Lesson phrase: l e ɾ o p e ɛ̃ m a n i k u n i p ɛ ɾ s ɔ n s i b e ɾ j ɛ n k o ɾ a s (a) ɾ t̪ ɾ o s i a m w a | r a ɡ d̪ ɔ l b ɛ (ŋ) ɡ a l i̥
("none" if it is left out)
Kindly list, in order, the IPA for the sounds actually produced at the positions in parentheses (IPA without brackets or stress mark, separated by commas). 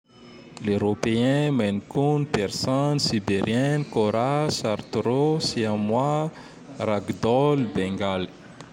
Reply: a, ŋ